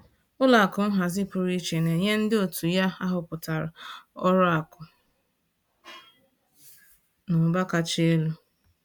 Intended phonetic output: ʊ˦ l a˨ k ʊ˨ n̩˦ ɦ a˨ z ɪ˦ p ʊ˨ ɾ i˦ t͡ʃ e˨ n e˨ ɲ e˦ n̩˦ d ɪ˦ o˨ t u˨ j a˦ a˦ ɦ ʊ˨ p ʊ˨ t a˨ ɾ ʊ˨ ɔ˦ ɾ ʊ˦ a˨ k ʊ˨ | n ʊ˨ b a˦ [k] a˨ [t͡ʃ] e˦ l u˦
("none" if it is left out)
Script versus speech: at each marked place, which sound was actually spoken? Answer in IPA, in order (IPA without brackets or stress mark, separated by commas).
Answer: k, t͡ʃ